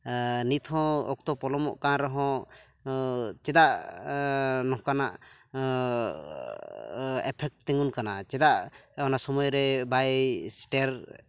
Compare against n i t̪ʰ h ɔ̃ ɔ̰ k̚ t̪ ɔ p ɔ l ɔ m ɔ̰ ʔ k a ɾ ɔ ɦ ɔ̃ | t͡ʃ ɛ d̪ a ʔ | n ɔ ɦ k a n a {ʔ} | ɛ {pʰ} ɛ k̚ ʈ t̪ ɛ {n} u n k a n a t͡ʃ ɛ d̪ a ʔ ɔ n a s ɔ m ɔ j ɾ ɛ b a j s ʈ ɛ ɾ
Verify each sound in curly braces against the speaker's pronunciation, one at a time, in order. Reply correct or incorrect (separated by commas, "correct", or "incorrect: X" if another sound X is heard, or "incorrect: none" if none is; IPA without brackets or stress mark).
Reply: correct, correct, incorrect: ŋ